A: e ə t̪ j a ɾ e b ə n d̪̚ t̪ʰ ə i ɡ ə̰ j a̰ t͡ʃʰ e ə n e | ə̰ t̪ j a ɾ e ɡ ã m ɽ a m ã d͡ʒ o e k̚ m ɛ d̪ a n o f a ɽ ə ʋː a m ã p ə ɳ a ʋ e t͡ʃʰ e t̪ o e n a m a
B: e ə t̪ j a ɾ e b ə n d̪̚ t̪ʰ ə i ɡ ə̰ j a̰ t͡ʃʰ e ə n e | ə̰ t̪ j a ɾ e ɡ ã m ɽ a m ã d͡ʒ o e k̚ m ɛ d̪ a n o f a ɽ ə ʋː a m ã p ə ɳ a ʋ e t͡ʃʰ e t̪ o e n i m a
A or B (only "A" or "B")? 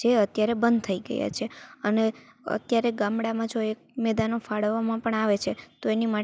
B